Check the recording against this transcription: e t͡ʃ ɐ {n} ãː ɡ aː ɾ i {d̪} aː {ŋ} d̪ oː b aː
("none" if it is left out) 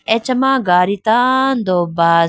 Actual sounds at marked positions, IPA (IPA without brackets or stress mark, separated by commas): m, t̪, n